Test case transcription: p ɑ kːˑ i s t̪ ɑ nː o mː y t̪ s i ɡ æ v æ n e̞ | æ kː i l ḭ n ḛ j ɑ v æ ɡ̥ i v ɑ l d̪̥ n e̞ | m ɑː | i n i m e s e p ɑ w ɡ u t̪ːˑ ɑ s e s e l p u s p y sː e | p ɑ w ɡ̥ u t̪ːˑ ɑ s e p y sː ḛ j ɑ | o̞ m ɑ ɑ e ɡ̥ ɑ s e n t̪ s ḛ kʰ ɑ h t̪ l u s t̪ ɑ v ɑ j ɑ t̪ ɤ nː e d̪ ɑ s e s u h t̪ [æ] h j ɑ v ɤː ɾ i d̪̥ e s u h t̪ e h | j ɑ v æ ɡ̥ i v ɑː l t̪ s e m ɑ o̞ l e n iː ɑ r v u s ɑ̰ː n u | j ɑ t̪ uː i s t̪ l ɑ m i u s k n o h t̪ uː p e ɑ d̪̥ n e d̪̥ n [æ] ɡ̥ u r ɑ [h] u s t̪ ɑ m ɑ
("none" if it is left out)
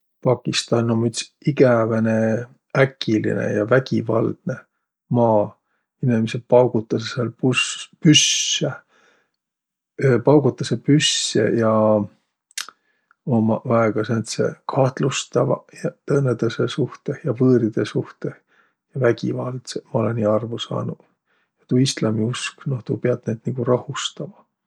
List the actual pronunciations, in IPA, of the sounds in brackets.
e, i, h

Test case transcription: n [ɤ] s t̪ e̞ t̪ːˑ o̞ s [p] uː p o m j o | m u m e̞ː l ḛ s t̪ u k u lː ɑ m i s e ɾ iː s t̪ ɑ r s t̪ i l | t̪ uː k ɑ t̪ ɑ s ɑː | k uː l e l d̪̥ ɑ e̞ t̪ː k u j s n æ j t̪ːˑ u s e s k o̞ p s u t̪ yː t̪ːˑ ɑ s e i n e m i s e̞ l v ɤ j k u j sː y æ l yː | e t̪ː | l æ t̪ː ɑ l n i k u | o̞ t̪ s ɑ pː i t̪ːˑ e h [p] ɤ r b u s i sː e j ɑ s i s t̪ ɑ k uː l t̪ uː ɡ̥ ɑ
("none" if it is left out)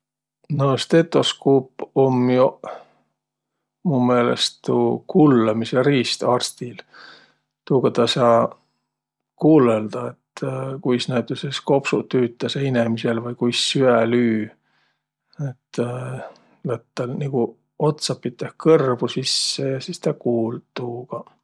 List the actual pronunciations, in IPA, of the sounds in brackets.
o, k, k

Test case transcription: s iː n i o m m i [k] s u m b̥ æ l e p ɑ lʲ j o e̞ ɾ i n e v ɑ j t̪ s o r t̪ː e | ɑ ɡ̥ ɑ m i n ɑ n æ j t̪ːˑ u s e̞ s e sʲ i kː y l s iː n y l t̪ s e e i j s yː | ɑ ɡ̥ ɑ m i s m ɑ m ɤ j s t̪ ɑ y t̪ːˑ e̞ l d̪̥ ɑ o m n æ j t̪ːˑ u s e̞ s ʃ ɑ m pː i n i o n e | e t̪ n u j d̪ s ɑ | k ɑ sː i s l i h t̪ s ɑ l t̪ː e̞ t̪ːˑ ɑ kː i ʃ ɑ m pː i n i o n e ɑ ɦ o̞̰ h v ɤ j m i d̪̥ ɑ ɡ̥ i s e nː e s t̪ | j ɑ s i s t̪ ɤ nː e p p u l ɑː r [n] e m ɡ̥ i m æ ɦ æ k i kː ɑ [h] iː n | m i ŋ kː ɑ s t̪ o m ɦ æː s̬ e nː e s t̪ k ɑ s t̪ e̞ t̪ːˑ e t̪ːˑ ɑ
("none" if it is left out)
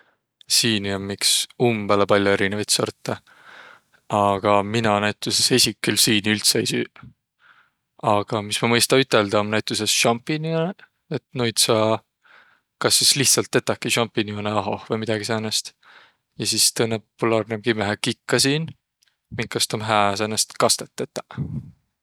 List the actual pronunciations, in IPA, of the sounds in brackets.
k, n, s

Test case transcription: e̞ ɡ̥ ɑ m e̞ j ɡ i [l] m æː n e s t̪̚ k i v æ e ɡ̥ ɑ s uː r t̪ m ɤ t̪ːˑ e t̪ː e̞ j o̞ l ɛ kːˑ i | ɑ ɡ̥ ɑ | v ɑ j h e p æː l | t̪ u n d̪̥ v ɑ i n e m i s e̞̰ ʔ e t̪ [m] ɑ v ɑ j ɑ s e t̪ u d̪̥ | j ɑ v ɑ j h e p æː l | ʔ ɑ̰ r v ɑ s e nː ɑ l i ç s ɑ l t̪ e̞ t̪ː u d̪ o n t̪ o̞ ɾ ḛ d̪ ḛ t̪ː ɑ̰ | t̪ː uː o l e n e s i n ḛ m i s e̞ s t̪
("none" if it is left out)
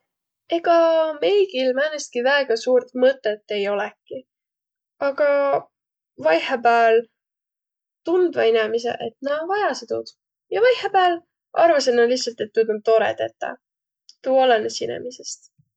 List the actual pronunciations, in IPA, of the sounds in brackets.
l, n

